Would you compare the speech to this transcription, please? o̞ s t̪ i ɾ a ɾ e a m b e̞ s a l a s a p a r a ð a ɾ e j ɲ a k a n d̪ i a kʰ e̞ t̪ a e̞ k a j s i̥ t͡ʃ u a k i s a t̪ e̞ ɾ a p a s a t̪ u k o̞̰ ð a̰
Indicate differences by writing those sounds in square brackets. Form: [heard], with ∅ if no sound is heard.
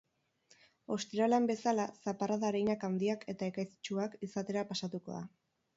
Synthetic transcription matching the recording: o̞ s t̪ i ɾ a [l] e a m b e̞ s a l a s a p a r a ð a ɾ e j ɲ a k a n d̪ i a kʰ e̞ t̪ a e̞ k a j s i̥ t͡ʃ u a k i s a t̪ e̞ ɾ a p a s a t̪ u k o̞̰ ð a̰